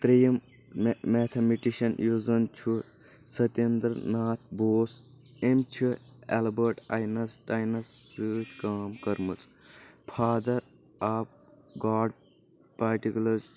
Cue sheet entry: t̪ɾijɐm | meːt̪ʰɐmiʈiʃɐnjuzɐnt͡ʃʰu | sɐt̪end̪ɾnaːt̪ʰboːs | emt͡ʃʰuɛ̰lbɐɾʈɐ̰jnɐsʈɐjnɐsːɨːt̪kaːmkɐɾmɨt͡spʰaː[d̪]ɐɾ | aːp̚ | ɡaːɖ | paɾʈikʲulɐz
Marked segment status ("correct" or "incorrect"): correct